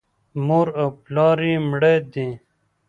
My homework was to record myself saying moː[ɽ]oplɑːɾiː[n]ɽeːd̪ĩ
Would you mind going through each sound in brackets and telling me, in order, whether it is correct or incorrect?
incorrect: ɾ, incorrect: m

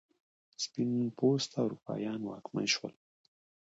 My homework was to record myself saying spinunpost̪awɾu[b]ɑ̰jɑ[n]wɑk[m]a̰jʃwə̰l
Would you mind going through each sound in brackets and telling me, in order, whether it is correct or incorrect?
incorrect: p, correct, correct

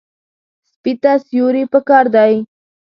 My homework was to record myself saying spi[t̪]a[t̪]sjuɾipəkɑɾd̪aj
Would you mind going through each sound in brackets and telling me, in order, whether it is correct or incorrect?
correct, incorrect: none

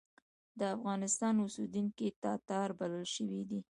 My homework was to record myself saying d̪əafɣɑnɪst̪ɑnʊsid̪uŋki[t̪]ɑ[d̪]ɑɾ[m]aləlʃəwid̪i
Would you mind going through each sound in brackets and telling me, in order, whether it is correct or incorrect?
correct, incorrect: t̪, incorrect: b

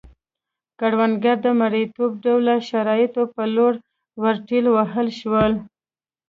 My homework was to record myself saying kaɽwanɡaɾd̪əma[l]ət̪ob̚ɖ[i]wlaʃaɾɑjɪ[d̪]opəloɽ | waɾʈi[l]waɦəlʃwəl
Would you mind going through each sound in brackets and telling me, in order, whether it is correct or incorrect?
incorrect: ɽ, incorrect: a, incorrect: t̪, correct

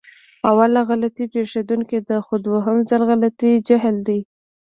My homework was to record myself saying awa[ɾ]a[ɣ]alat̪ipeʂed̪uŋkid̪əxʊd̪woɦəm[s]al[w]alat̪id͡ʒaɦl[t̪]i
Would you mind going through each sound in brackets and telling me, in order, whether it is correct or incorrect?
incorrect: l, correct, incorrect: z, incorrect: ɣ, incorrect: d̪

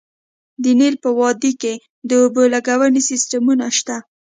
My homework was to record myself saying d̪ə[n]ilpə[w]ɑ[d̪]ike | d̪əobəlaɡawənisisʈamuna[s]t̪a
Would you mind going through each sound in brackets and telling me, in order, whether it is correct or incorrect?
correct, correct, correct, incorrect: ʃ

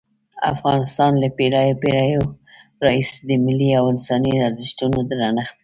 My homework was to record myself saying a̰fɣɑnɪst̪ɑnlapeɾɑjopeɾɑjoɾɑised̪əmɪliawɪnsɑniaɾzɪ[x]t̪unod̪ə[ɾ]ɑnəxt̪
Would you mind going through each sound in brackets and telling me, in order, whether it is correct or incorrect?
incorrect: ʃ, correct

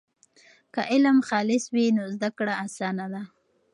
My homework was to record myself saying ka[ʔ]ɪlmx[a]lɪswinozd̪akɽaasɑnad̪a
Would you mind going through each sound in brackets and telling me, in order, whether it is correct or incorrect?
correct, incorrect: ɑ

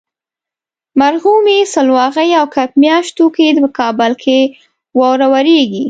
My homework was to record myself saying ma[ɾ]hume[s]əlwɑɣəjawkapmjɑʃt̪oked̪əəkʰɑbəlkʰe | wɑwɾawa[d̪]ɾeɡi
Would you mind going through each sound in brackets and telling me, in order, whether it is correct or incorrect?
correct, correct, incorrect: none

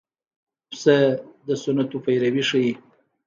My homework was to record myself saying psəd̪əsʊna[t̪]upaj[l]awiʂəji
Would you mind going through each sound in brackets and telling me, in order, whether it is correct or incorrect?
correct, incorrect: ɾ

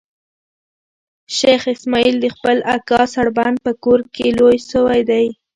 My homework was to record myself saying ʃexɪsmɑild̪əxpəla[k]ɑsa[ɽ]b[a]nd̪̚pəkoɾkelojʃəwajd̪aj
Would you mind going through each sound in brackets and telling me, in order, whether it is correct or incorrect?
correct, correct, correct

